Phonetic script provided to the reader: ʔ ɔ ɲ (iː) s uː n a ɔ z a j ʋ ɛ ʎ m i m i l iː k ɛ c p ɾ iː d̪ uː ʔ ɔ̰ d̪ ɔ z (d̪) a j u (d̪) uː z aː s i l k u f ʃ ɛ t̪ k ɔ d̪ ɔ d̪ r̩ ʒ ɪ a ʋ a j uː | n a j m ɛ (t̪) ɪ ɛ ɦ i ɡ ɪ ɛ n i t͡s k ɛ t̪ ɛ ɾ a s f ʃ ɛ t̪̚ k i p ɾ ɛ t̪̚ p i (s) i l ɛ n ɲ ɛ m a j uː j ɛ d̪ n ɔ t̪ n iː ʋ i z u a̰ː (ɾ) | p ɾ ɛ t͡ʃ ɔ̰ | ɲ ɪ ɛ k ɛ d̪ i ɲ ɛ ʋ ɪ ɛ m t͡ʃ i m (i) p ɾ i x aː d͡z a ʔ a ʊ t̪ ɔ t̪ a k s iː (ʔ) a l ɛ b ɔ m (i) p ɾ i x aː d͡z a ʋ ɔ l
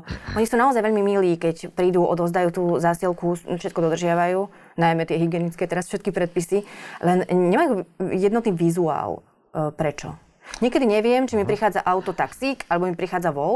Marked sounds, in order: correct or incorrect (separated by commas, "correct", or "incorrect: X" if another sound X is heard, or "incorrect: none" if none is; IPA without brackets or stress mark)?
incorrect: i, correct, incorrect: t̪, correct, correct, incorrect: l, correct, incorrect: k, correct